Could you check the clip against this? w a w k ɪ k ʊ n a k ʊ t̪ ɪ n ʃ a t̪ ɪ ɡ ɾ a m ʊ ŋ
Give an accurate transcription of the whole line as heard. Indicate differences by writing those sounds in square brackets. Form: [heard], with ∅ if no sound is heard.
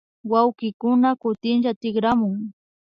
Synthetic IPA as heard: w a w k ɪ k ʊ n a k ʊ t̪ ɪ n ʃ a t̪ ɪ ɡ ɾ a m ʊ ŋ